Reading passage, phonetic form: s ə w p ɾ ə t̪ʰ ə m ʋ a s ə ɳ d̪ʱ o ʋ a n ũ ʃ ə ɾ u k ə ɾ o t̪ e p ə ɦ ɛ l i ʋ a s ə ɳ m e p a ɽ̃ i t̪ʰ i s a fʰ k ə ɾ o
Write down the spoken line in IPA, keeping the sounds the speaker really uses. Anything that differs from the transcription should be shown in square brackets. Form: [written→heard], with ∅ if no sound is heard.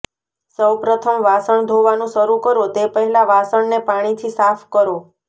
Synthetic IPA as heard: s ə w p ɾ ə t̪ʰ ə m ʋ a s ə ɳ d̪ʱ o ʋ a n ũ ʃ ə ɾ u k ə ɾ o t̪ e p ə ɦ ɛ l [i→a] ʋ a s ə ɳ [m→n] e p a ɽ̃ i t̪ʰ i s a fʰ k ə ɾ o